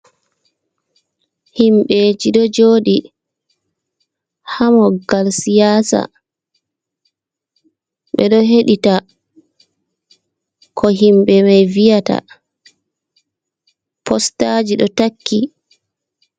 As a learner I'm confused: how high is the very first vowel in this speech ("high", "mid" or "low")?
high